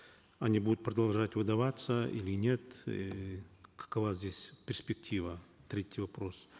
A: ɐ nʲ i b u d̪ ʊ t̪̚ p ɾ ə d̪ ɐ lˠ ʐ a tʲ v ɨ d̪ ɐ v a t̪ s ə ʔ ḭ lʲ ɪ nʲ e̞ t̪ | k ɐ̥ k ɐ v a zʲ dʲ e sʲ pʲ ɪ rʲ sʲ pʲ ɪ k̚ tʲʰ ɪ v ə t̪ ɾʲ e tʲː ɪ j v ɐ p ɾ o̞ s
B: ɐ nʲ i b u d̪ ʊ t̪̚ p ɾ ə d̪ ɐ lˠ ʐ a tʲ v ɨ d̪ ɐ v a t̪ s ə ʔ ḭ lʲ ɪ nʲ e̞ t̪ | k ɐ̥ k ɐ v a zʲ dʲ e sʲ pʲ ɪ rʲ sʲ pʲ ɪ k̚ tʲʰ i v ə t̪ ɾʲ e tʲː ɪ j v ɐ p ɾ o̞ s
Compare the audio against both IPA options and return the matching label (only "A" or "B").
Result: B